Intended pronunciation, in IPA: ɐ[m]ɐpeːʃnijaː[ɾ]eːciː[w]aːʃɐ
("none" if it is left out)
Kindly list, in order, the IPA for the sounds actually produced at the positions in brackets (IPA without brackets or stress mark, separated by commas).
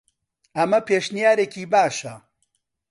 m, ɾ, b